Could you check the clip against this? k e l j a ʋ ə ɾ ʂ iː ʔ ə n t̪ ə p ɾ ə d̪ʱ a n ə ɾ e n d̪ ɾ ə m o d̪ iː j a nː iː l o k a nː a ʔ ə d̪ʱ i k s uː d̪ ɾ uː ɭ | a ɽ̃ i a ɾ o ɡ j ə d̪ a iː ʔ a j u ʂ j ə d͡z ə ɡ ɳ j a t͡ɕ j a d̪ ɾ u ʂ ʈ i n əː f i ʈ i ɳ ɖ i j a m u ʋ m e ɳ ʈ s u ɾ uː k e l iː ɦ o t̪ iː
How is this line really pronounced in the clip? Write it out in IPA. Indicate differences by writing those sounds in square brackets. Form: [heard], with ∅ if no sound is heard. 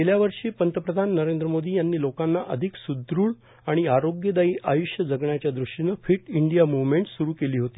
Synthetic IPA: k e l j a ʋ ə ɾ ʂ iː [p] ə n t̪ ə p ɾ ə d̪ʱ a [nː] ə ɾ e n d̪ ɾ ə m o d̪ iː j a nː iː l o k a nː a ʔ ə d̪ʱ i k s [u] d̪ ɾ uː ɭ | a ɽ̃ i a ɾ o ɡ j ə d̪ a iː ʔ a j u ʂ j ə d͡z ə ɡ ɳ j a t͡ɕ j a d̪ ɾ u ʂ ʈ i n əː f i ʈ i ɳ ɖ i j a m u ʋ m e ɳ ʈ s u ɾ uː k e l iː ɦ o t̪ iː

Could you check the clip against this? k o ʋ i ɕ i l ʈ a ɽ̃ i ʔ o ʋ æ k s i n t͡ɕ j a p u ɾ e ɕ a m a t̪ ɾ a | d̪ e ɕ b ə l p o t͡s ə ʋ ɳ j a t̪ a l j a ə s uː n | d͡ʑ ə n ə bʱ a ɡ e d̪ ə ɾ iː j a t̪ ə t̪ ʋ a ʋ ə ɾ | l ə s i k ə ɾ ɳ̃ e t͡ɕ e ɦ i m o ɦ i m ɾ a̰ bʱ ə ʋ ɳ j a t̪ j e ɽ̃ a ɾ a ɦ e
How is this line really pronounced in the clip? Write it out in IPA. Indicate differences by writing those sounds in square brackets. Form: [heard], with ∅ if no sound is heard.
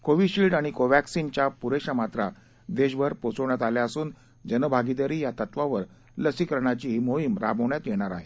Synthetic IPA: k o ʋ i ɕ i l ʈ a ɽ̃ i [k] o ʋ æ k s i n t͡ɕ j a p u ɾ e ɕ a m a t̪ ɾ a | d̪ e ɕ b ə [ɾ] p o t͡s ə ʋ ɳ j a t̪ a l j a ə s uː n | d͡ʑ ə n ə bʱ a ɡ [i] d̪ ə ɾ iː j a t̪ ə t̪ ʋ a ʋ ə ɾ | l ə s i k ə ɾ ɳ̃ [a] t͡ɕ [i] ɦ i m o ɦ i m ɾ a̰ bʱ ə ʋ ɳ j a t̪ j e ɽ̃ a ɾ a ɦ e

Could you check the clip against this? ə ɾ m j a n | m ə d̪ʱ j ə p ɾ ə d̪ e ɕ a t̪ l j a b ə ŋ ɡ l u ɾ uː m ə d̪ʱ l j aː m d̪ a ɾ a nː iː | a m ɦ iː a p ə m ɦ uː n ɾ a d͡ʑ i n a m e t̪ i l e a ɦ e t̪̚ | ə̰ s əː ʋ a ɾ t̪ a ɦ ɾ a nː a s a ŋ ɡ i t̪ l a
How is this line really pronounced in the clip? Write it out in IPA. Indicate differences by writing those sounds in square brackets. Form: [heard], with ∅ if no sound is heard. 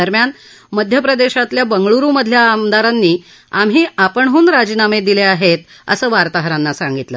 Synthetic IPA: ə ɾ m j a n | m ə d̪ʱ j ə p ɾ ə d̪ e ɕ a t̪ l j a b ə ŋ ɡ [ɭ] u ɾ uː m ə d̪ʱ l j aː m d̪ a ɾ a nː iː | a m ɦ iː a p ə [ɳ] ɦ uː n ɾ a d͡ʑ i n a m e [d̪] i l e a ɦ e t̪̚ | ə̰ s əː ʋ a ɾ t̪ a ɦ ɾ a nː a s a ŋ ɡ i t̪ l [ə]

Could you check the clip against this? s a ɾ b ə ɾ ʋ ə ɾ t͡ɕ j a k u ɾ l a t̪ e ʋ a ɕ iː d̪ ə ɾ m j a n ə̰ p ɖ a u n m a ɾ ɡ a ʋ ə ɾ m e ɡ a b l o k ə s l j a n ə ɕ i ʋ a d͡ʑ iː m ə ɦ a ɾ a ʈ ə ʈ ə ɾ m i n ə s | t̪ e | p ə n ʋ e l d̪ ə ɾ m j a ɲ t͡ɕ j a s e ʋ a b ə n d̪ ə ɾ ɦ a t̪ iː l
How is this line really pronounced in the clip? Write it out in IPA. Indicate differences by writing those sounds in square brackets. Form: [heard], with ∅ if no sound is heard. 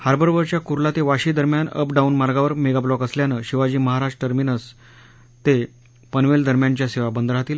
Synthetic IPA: [h] a ɾ b ə ɾ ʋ ə ɾ t͡ɕ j a k u ɾ l a t̪ e ʋ a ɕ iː d̪ ə ɾ m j a n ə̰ p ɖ a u n m a ɾ ɡ a ʋ ə ɾ m e ɡ a b l [ɔ] k ə s l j a n ə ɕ i ʋ a d͡ʑ iː m ə ɦ a ɾ a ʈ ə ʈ ə ɾ m i n ə s | t̪ e | p ə n ʋ e l d̪ ə ɾ m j a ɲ t͡ɕ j a s e ʋ a b ə n d̪ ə ɾ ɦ a t̪ iː l

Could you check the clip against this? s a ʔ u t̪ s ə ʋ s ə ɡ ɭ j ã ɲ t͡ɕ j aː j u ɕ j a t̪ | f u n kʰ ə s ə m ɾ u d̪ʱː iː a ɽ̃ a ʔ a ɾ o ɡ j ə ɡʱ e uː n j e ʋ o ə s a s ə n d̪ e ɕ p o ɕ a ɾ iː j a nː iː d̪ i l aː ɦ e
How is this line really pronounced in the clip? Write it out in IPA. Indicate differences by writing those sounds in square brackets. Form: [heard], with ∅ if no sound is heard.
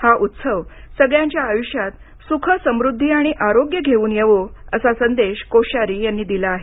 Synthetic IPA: [h] a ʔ u t̪ s ə ʋ s ə ɡ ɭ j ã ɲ t͡ɕ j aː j u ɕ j a t̪ | [s] u [∅] kʰ ə s ə m ɾ u d̪ʱː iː a ɽ̃ [i] ʔ a ɾ o ɡ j ə ɡʱ e uː n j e ʋ o ə s a s ə n d̪ e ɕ [k] o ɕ a ɾ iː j a nː iː d̪ i l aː ɦ e

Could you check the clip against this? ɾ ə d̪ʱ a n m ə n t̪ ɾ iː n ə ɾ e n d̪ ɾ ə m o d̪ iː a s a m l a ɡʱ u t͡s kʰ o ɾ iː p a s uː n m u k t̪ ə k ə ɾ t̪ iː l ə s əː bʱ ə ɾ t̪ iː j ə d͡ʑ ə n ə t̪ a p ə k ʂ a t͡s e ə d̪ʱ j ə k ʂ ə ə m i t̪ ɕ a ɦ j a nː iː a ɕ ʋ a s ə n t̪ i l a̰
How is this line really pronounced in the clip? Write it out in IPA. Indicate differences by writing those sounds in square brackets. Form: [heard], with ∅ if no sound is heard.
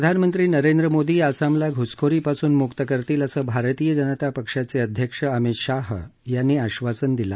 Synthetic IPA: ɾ ə d̪ʱ a n m ə n t̪ ɾ iː n ə ɾ e n d̪ ɾ ə m o d̪ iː a s a m l a ɡʱ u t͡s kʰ o ɾ iː p a s uː n m u k t̪ ə k ə ɾ t̪ iː l ə s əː bʱ [a] ɾ t̪ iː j ə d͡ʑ ə n ə t̪ a p ə k ʂ a t͡s e ə d̪ʱ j ə k ʂ ə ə m i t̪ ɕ a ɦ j a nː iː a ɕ ʋ a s ə n [d̪] i l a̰

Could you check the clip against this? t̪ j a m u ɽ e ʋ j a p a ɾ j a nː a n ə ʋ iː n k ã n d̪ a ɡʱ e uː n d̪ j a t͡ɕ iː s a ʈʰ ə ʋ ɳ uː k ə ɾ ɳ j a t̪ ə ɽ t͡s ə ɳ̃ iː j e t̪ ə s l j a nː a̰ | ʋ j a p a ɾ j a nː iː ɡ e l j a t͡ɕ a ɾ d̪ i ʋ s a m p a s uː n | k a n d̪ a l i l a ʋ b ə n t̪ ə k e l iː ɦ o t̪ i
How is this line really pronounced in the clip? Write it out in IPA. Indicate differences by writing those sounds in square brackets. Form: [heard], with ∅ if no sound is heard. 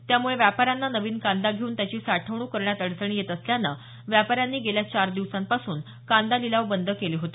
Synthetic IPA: t̪ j a m u [ɭ] e ʋ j a p a ɾ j a nː a n ə ʋ iː n k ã n d̪ a ɡʱ e uː n [t̪] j a t͡ɕ iː s a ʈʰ ə ʋ ɳ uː k ə ɾ ɳ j a t̪ ə ɽ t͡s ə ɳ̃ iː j e t̪ ə s l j a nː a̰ | ʋ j a p a ɾ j a nː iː ɡ e l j a t͡ɕ a ɾ d̪ i ʋ s a m p a s uː n | k a n d̪ a l i l a ʋ b ə n [d̪] ə k e l iː ɦ o t̪ i

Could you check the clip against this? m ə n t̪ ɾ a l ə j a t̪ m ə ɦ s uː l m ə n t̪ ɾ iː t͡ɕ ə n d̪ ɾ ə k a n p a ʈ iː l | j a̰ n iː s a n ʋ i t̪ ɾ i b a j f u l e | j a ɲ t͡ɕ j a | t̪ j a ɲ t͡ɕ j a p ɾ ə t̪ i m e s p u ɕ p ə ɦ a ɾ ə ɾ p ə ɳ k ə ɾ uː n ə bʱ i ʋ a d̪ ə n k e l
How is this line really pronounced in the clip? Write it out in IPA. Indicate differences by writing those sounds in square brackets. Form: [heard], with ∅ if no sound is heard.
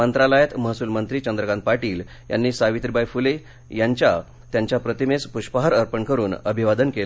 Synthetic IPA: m ə n t̪ ɾ a l ə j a t̪ m ə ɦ s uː l m ə n t̪ ɾ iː t͡ɕ ə n d̪ ɾ ə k a n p a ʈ iː l | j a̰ [nː] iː s a [∅] ʋ i t̪ ɾ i b a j f u l e | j a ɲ t͡ɕ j a | t̪ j a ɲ t͡ɕ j a p ɾ ə t̪ i m e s p u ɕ p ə ɦ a ɾ ə ɾ p ə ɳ k ə ɾ uː n ə bʱ i ʋ a d̪ ə n k e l

